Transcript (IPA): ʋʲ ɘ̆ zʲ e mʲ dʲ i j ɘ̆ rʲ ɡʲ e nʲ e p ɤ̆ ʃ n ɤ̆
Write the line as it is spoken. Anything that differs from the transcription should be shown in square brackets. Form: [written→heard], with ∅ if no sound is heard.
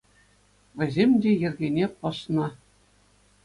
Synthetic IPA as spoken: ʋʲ ɘ̆ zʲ e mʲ dʲ [i→e] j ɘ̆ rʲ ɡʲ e nʲ e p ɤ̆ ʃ n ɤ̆